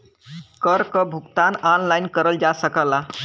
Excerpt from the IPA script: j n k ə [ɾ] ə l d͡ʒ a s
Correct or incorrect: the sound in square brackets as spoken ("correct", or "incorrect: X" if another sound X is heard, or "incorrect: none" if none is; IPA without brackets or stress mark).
correct